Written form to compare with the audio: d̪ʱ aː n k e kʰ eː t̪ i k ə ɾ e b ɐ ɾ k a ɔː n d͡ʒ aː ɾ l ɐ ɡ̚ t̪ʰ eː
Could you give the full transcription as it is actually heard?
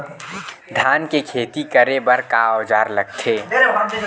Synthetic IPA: d̪ʱ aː n k e kʰ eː t̪ i k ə ɾ e b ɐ ɾ k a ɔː d͡ʒ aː ɾ l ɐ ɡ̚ t̪ʰ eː